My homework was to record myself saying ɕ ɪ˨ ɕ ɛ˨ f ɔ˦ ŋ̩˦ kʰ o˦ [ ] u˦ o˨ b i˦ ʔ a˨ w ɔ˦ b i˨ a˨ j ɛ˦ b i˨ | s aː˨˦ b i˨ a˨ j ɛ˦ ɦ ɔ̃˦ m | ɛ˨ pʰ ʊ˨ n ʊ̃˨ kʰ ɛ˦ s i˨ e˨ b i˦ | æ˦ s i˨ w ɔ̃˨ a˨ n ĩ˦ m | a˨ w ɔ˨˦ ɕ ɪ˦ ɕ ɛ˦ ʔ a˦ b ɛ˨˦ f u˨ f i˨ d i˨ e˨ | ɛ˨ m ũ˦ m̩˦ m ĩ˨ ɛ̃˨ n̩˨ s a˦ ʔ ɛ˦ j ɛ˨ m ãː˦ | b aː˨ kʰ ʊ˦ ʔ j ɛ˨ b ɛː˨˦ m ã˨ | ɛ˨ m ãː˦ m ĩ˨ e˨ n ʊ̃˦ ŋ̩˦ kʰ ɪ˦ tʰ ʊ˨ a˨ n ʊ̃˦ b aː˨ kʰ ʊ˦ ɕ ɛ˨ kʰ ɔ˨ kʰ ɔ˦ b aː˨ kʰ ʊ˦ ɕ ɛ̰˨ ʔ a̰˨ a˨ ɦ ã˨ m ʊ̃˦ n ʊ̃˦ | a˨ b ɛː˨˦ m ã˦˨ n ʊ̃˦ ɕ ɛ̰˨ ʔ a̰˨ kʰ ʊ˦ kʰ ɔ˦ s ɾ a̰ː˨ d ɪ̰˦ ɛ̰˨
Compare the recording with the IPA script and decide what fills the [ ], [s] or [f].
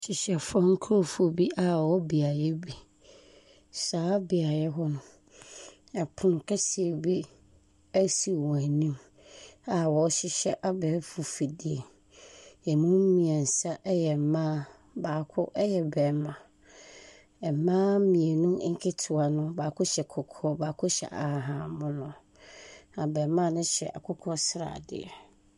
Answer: f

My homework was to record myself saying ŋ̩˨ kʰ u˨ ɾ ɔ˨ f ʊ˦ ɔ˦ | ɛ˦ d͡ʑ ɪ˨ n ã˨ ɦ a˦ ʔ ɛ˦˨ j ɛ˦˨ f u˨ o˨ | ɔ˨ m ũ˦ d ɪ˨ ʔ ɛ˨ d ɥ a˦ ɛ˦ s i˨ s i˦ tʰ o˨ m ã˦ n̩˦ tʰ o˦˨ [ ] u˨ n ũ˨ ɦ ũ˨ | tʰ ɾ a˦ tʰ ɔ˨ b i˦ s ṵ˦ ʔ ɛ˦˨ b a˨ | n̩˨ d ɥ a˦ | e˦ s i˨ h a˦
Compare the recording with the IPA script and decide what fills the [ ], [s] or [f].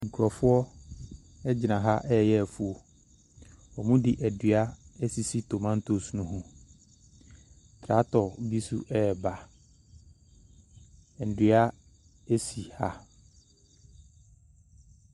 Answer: s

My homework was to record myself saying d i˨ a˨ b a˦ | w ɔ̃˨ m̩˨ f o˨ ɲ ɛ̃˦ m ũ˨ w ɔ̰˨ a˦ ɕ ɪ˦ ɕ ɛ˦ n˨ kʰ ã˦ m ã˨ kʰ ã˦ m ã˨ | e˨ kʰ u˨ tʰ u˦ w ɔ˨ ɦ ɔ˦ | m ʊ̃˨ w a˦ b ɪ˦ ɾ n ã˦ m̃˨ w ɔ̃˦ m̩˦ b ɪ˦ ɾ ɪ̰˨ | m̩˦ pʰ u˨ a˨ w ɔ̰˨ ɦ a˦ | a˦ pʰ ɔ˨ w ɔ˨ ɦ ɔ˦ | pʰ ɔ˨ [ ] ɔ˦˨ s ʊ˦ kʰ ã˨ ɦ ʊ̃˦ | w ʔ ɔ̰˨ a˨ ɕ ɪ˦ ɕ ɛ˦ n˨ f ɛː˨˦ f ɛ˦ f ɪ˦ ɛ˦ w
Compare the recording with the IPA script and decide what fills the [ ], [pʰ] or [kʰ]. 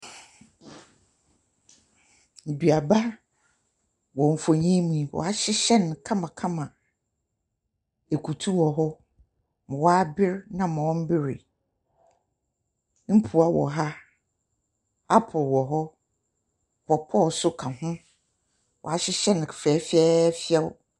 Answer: pʰ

